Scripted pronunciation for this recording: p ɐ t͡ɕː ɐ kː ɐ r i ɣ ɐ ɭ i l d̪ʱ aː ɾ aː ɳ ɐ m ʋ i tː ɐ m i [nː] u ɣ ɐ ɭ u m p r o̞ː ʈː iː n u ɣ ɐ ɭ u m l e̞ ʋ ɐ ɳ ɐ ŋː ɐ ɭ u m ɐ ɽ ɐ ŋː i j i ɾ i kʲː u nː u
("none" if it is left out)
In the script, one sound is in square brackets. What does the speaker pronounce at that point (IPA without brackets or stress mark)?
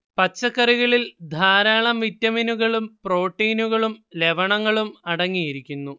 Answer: n